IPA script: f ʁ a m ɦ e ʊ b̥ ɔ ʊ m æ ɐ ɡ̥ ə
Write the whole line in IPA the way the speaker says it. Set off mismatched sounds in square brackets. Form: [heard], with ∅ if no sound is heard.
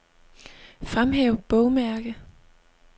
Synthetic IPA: f ʁ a m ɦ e ʊ b̥ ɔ ʊ m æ ɐ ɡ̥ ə